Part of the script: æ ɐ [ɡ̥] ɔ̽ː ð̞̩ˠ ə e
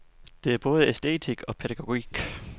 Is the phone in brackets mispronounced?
yes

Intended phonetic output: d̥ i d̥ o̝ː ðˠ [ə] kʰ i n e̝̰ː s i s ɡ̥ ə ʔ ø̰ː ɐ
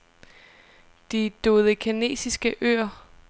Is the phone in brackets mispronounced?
no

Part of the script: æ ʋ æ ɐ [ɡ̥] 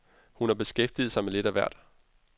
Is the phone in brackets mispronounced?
yes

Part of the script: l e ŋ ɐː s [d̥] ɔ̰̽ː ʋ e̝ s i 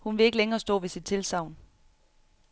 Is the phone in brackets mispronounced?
no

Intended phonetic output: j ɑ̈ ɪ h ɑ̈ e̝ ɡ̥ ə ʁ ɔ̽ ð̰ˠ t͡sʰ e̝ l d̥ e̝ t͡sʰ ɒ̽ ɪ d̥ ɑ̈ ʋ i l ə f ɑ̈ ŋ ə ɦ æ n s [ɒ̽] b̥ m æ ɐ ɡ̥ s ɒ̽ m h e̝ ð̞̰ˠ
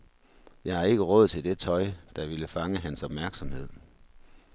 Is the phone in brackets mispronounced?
no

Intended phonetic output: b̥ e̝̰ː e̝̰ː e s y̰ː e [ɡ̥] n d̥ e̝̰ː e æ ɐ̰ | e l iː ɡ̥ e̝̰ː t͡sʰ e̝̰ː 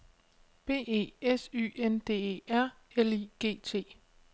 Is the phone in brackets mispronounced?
yes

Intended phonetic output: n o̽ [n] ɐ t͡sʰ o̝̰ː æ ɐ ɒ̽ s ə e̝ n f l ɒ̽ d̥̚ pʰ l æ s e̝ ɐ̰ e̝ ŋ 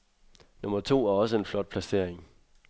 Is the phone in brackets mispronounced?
yes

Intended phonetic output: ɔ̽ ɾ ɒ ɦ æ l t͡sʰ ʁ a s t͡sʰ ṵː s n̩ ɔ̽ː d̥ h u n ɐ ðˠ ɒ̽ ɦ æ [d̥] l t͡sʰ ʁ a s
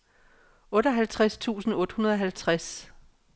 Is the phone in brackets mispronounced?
yes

